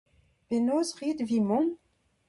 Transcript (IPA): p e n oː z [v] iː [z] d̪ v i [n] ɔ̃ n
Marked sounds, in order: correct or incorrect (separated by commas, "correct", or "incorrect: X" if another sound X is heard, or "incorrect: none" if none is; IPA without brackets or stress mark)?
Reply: incorrect: ʁ, incorrect: none, incorrect: m